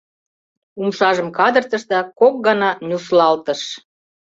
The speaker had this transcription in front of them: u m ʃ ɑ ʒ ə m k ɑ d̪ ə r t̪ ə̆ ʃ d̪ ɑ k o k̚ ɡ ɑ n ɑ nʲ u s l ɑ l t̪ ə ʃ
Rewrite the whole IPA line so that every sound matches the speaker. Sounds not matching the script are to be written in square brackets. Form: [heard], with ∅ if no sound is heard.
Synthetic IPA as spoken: u m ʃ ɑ ʒ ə m k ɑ d̪ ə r t̪ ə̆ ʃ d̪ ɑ k o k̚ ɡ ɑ n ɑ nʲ u s l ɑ l t̪ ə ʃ